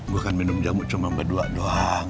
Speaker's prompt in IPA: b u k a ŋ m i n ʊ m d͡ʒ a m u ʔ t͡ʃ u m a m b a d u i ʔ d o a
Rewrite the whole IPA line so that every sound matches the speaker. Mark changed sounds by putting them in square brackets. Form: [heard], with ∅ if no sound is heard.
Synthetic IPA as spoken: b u k a [n] m i n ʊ m d͡ʒ a m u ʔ t͡ʃ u m a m b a d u [a] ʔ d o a

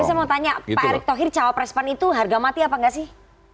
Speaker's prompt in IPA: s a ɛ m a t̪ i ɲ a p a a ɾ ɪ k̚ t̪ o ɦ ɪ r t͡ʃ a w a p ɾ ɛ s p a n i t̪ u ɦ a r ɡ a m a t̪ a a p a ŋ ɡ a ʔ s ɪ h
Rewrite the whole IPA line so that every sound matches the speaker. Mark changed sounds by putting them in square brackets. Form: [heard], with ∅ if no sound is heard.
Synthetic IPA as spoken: s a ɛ m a t̪ [a] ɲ a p a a ɾ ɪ k̚ t̪ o ɦ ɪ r t͡ʃ a w a p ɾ ɛ s p a n i t̪ u ɦ a r ɡ a m a t̪ [i] a p a ŋ ɡ a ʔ s ɪ h

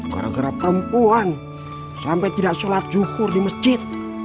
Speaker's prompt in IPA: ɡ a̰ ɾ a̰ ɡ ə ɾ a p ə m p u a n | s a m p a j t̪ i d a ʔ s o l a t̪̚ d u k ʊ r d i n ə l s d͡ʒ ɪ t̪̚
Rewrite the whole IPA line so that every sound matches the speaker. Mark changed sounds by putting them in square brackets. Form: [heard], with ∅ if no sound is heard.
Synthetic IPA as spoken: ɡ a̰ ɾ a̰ ɡ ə ɾ a p ə m p u a n | s a m p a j t̪ i d a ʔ s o l a t̪̚ [d͡ʒ] u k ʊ r d i [m] ə [∅] s d͡ʒ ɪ t̪̚

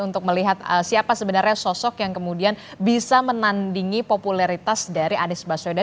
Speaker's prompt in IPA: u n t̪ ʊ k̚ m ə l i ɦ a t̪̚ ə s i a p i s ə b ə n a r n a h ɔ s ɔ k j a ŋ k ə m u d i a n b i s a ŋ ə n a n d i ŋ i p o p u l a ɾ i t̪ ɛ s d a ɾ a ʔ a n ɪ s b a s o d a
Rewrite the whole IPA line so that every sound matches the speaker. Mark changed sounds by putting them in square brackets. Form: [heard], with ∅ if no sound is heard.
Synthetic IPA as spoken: u n t̪ ʊ k̚ m ə l i ɦ a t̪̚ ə s i a p [a] s ə b ə n a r [ɲ] a [s] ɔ s ɔ k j a ŋ k ə m u d i a n b i s a [m] ə n a n d i ŋ i p o p u l a ɾ i t̪ [a] s d a ɾ [i] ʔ a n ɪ s b a s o d a

